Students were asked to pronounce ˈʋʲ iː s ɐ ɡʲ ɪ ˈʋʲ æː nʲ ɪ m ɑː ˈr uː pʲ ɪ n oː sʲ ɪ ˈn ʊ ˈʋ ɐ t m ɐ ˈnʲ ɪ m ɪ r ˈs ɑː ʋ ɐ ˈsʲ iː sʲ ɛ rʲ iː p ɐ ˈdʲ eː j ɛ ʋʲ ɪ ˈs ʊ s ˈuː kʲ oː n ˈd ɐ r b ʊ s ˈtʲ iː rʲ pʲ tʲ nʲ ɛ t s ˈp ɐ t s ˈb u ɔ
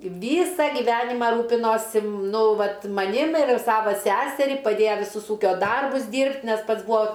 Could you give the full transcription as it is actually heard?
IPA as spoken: ˈʋʲ iː s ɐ ɡʲ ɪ ˈʋʲ æː nʲ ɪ m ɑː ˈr uː pʲ ɪ n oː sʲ ɪ ˈn ʊ ˈʋ ɐ t m ɐ ˈnʲ ɪ m ɪ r ˈs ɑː ʋ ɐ ˈsʲ æː sʲ ɛ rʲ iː p ɐ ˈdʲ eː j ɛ ʋʲ ɪ ˈs ʊ s ˈuː kʲ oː ˈd ɐ r b ʊ s ˈdʲ iː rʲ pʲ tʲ nʲ ɛ s ˈp ɐ t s ˈb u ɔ